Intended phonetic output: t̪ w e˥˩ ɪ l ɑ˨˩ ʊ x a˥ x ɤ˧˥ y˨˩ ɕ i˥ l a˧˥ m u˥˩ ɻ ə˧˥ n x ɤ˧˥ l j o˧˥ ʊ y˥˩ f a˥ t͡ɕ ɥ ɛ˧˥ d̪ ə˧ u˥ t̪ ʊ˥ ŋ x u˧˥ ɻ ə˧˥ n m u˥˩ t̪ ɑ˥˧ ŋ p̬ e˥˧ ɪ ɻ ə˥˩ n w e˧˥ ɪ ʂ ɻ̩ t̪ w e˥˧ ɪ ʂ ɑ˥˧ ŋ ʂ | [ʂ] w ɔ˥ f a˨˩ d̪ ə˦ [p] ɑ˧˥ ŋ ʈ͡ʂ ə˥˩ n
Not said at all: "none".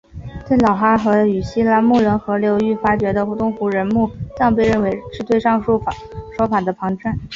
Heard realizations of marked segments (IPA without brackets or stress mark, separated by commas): ʂ, pʰ